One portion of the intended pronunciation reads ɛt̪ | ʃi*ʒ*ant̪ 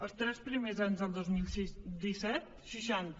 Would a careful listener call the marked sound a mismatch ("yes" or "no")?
yes